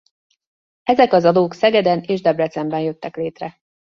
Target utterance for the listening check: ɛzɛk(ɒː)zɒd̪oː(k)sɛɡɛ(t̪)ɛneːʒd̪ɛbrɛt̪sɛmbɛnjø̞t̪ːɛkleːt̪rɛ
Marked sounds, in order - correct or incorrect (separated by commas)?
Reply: incorrect, correct, incorrect